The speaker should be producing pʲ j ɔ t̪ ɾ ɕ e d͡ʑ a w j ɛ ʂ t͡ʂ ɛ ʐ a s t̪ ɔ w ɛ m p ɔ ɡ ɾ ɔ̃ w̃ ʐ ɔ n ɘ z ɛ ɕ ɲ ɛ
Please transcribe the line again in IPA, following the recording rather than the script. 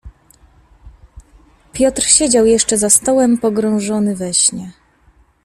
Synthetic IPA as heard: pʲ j ɔ t̪ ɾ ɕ e d͡ʑ a w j ɛ ʂ t͡ʂ ɛ z a s t̪ ɔ w ɛ m p ɔ ɡ ɾ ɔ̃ w̃ ʐ ɔ n ɘ v ɛ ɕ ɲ ɛ